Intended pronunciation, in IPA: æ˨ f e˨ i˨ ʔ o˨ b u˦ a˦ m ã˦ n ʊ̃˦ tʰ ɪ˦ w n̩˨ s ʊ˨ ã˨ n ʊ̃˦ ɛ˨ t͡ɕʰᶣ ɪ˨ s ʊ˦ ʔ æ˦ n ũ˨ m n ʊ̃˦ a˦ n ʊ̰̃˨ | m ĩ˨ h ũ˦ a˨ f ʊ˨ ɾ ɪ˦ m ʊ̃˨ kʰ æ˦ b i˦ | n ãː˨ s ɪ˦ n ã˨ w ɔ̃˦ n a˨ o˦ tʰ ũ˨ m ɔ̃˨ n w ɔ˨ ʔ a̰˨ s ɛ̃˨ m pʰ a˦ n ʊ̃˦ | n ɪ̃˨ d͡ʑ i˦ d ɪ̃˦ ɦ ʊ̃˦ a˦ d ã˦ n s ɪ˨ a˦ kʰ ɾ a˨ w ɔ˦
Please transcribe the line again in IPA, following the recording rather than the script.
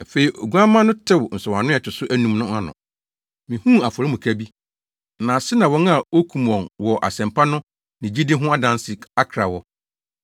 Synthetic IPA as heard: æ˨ f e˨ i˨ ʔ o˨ ɡ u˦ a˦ m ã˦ n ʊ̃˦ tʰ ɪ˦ w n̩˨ s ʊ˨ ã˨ n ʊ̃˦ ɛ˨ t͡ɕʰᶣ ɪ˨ s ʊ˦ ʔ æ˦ n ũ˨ m n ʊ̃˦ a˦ n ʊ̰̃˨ | m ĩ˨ h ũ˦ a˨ f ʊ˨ ɾ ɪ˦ m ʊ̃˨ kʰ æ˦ b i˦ | n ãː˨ s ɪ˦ n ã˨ w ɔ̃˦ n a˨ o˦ kʰ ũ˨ m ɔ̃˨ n w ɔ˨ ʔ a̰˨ s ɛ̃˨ m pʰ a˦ n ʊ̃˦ | n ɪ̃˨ d͡ʑ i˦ d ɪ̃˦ ɦ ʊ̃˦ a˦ d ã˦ n s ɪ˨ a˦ kʰ ɾ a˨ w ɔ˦

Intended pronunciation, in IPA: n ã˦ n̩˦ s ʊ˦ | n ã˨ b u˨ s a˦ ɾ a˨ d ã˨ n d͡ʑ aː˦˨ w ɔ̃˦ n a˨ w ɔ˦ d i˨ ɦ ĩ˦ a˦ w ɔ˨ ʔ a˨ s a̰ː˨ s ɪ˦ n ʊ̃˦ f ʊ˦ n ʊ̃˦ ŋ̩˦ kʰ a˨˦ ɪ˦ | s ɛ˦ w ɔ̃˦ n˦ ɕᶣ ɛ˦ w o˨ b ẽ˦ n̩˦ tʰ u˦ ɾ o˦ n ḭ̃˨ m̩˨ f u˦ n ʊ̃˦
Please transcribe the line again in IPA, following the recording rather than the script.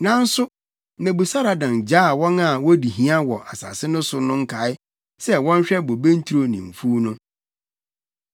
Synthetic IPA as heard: n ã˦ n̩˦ s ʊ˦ | n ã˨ b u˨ s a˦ ɾ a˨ d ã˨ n d͡ʑ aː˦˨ w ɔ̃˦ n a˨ w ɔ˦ d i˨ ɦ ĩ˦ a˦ w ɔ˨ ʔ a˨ s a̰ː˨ s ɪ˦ n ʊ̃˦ s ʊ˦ n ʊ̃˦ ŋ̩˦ kʰ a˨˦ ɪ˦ | s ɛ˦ w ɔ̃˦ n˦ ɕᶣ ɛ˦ b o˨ b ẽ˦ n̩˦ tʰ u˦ ɾ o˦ n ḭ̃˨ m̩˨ f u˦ n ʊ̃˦

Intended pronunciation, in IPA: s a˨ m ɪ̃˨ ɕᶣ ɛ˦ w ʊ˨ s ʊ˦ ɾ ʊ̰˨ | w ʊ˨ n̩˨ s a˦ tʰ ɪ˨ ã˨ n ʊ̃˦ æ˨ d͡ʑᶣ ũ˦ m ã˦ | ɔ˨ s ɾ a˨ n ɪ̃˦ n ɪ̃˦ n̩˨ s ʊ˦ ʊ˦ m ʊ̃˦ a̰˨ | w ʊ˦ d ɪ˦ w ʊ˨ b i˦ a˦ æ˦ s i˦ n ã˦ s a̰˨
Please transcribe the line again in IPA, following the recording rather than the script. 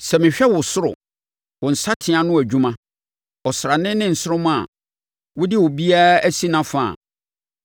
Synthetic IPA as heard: s ɛ˨ m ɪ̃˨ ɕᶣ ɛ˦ w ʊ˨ s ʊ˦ ɾ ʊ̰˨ | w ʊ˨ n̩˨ s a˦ tʰ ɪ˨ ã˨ n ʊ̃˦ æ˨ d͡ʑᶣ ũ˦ m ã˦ | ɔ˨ s ɾ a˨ n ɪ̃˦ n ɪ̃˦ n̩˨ s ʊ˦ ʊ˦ m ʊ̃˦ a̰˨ | w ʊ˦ d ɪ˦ w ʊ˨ b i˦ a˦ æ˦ s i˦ n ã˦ f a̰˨

